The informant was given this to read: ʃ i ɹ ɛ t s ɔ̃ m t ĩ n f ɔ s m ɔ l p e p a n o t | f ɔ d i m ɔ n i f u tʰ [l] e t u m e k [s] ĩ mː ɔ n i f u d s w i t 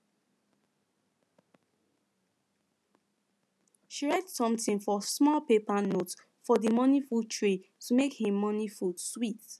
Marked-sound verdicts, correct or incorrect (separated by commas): incorrect, incorrect